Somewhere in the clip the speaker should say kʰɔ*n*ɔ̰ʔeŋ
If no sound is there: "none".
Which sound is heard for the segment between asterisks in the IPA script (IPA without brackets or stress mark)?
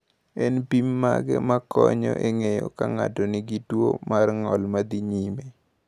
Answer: ɲ